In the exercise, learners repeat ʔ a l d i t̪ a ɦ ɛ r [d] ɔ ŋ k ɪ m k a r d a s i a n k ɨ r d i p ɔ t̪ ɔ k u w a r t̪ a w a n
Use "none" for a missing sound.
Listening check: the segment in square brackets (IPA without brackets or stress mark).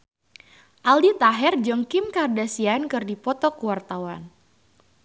d͡ʒ